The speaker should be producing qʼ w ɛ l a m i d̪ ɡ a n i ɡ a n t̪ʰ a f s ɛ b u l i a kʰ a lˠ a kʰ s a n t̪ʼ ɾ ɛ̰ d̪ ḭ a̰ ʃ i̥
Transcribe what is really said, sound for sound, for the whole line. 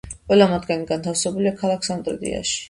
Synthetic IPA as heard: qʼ w ɛ l a m a d̪ ɡ a n i ɡ a n t̪ʰ a f s ɛ b u l i a kʰ a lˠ a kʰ s a n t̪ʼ ɾ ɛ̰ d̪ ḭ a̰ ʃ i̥